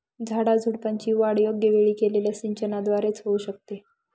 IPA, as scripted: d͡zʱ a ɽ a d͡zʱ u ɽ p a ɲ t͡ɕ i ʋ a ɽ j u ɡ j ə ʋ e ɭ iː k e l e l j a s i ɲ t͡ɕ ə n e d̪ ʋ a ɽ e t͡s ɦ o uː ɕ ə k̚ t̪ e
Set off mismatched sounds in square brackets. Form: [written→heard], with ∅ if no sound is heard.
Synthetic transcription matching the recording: d͡zʱ a ɽ a d͡zʱ u ɽ p a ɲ t͡ɕ [i→iː] ʋ a ɽ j [u→o] ɡ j ə ʋ e ɭ iː k e l e l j a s i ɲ t͡ɕ ə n [e→a] d̪ ʋ a [ɽ→ɾ] e t͡s ɦ o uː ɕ ə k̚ t̪ e

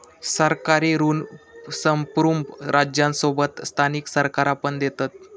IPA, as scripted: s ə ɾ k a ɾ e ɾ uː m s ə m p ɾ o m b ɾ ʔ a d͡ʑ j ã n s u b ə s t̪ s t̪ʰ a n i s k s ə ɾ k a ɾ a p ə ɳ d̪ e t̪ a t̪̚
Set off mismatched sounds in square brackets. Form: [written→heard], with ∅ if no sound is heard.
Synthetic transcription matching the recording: s ə ɾ k a ɾ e ɾ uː [m→n] s ə m p ɾ [o→u] m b ɾ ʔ a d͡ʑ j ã n s [u→o] b ə [s→∅] t̪ s t̪ʰ a n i [s→∅] k s ə ɾ k a ɾ a p ə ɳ d̪ e t̪ a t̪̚

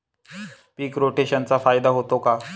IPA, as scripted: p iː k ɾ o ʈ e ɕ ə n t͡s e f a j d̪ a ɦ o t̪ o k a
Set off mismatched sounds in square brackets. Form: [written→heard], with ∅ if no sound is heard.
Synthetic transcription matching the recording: p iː k ɾ o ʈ e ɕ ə n t͡s [e→a] f a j d̪ a ɦ o t̪ o k a

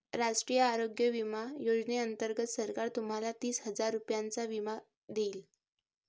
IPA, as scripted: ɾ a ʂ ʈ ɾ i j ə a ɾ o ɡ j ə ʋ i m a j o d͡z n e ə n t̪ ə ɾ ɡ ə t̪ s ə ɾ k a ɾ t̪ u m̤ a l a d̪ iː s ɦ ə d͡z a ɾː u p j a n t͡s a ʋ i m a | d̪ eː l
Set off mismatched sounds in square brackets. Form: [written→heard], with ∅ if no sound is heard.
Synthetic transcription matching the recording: ɾ a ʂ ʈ ɾ i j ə a ɾ o ɡ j ə ʋ i m a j o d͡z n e ə n t̪ ə ɾ ɡ ə t̪ s ə ɾ k a ɾ t̪ u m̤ a l a [d̪→t̪] iː s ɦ ə d͡z a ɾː u p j a n t͡s a ʋ i m a | d̪ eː l

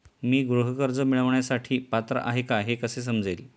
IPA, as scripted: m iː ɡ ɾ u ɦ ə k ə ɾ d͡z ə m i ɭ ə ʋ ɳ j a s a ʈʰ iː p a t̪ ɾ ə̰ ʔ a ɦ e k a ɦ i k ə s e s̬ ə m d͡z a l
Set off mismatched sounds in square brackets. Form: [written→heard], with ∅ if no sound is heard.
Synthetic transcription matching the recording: m iː ɡ ɾ u ɦ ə k ə ɾ d͡z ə m i ɭ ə ʋ ɳ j a s a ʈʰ iː p a t̪ ɾ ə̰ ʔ a ɦ e k a ɦ [i→e] k ə s e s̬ ə m d͡z [a→e] l

